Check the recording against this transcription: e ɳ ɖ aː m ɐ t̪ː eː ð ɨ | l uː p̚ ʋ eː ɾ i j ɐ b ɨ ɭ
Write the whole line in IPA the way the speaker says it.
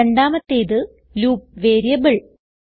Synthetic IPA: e ɳ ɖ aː m ɐ t̪ː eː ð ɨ | l uː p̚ ʋ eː ɾ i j ɐ b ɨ ɭ